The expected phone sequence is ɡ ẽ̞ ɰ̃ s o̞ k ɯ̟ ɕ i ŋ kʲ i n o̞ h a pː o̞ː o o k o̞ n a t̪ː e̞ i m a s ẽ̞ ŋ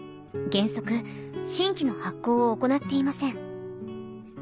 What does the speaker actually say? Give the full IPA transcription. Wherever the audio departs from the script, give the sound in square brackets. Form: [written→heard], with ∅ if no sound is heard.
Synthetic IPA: ɡ ẽ̞ ɰ̃ s o̞ k ɯ̟ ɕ [i→ĩ] ŋ kʲ i n o̞ h a [pː→kː] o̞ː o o k o̞ n a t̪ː e̞ i m a s ẽ̞ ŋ